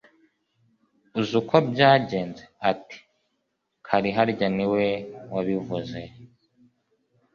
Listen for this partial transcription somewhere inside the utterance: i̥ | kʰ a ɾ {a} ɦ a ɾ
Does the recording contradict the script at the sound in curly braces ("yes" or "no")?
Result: yes